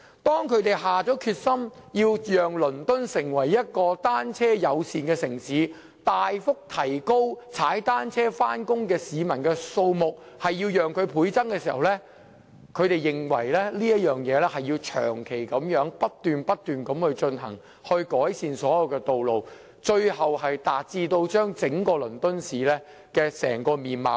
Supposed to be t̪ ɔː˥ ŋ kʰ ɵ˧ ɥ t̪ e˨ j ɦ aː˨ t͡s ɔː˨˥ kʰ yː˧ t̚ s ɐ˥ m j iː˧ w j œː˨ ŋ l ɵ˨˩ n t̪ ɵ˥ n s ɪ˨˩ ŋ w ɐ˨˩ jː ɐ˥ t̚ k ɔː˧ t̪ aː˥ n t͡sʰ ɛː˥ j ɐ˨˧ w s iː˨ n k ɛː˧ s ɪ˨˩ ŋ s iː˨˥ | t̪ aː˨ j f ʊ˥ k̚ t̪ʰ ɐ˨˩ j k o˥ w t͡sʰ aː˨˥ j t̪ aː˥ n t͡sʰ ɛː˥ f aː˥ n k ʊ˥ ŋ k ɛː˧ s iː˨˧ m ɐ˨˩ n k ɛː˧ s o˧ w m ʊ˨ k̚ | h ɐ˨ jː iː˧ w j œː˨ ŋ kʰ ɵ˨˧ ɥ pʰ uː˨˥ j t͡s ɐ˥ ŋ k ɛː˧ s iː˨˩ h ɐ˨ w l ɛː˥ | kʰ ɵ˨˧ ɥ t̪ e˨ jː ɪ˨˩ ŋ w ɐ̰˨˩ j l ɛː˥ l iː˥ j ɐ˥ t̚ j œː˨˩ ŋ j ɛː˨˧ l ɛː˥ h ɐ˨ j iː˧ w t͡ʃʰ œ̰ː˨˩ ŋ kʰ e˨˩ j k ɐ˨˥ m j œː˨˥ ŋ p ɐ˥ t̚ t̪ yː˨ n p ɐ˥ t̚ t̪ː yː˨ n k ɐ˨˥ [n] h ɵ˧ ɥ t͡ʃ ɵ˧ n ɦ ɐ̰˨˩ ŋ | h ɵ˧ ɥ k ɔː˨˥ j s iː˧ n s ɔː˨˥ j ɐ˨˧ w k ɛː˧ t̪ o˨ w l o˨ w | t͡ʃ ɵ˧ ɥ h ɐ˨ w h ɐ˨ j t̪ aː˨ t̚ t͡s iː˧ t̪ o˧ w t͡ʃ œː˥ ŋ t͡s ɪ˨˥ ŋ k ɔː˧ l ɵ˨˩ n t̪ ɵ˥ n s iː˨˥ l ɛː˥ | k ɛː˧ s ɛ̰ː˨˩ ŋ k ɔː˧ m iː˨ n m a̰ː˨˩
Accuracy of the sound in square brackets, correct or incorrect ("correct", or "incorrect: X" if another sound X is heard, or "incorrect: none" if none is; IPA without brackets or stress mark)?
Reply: incorrect: m